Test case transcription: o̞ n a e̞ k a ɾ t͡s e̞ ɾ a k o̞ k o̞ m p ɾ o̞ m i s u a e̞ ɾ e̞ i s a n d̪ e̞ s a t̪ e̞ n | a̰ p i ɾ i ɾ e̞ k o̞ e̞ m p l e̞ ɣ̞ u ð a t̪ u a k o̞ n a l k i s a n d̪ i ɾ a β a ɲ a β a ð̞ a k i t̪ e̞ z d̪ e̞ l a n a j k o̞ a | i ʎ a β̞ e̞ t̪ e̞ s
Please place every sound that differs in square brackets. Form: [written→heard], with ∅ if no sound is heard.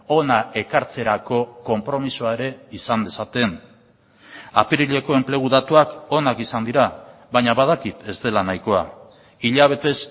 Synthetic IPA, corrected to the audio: o̞ n a e̞ k a ɾ t͡s e̞ ɾ a k o̞ k o̞ m p ɾ o̞ m i s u a e̞ ɾ e̞ i s a n d̪ e̞ s a t̪ e̞ n | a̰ p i ɾ i [ɾ→ʎ] e̞ k o̞ e̞ m p l e̞ ɣ̞ u ð a t̪ u a k o̞ n a [l→∅] k i s a n d̪ i ɾ a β a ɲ a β a ð̞ a k i t̪ e̞ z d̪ e̞ l a n a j k o̞ a | i ʎ a β̞ e̞ t̪ e̞ s